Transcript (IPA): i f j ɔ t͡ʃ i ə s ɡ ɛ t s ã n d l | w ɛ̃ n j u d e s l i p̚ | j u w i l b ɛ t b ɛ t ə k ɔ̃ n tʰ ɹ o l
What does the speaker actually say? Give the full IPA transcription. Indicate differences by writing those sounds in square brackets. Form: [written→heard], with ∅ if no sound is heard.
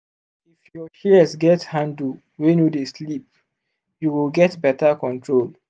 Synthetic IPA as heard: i f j ɔ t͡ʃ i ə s ɡ ɛ t [s→h] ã n d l | w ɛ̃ n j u d e s l i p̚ | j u w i l [b→ɡ] ɛ t b ɛ t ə k ɔ̃ n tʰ ɹ o l